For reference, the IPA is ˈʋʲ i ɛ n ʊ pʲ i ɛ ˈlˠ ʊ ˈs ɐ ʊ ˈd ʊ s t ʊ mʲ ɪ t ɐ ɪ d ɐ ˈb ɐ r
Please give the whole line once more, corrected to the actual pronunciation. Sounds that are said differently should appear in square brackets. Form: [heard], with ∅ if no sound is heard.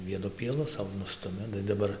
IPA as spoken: ˈʋʲ i ɛ n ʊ pʲ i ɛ ˈlˠ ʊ ˈs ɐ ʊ [ˈn] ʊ s t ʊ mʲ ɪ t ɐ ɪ d ɐ ˈb ɐ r